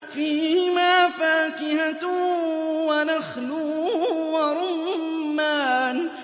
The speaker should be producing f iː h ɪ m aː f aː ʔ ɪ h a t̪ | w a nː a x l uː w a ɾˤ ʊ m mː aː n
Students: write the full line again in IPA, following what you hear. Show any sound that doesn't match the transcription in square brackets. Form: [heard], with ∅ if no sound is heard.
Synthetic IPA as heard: f iː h ɪ m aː f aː [k] ɪ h a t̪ | w a [n] a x l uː w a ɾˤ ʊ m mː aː n